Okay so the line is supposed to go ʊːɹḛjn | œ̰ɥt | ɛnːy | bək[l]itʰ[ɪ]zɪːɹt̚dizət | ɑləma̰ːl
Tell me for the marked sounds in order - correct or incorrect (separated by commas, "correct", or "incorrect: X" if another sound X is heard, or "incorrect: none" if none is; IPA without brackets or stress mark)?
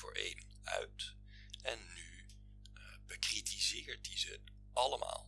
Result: incorrect: r, incorrect: i